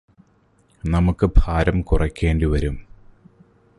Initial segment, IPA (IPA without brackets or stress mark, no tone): n